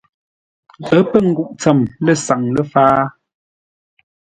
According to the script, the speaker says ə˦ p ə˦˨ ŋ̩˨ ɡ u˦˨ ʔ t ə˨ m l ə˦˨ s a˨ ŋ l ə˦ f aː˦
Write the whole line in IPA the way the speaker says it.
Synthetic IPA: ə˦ p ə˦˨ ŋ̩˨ ɡ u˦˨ ʔ t͡s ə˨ m l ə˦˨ s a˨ ŋ l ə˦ f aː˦